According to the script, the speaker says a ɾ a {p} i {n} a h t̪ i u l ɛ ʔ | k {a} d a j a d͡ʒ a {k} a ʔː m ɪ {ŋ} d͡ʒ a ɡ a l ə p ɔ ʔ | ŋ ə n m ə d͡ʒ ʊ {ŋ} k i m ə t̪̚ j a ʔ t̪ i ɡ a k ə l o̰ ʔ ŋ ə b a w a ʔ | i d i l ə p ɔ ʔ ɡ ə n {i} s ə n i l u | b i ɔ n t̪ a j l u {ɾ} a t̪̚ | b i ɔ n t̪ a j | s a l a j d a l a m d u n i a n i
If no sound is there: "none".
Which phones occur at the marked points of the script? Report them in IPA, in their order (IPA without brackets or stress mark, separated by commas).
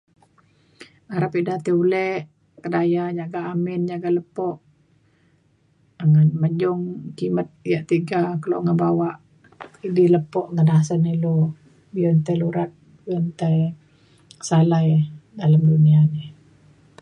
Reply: p, d, ə, ɡ, n, ŋ, a, ɾ